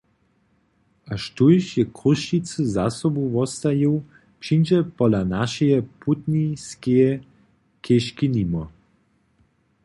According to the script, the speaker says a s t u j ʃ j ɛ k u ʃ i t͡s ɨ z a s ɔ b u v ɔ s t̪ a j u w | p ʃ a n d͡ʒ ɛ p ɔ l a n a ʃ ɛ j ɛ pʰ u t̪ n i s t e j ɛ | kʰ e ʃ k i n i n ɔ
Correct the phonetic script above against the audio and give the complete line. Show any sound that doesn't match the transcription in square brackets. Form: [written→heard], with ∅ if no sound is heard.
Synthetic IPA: a [s→ʃ] t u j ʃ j ɛ k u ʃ i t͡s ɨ z a s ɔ b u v ɔ s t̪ a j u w | p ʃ [a→i] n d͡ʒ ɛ p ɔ l a n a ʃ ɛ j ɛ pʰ u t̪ n i s [t→k] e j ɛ | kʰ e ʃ k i n i [n→m] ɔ